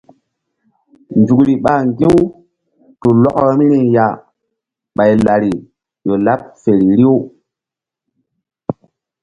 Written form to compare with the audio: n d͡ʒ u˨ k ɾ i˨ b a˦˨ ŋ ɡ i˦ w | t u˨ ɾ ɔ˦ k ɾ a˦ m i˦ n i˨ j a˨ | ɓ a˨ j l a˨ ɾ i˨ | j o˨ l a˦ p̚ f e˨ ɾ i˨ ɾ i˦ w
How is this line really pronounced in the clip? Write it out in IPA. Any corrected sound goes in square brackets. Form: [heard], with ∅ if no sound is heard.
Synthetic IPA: n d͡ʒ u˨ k ɾ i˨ [ɓ] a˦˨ ŋ ɡ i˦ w | t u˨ [l] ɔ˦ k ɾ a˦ m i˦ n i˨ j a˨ | ɓ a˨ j l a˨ ɾ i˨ | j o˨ l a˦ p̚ f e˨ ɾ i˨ ɾ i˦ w